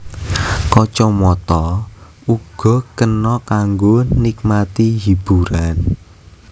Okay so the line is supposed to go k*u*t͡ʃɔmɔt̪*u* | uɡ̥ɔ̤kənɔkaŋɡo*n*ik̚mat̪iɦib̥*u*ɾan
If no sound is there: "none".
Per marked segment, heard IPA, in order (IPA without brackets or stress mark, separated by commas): ɔ, ɔ, n, u